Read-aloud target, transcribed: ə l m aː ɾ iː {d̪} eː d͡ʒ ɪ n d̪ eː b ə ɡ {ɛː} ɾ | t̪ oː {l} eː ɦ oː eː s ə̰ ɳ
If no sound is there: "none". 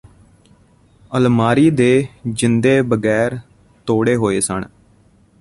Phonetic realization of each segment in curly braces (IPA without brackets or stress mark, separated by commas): d̪, ɛː, ɽ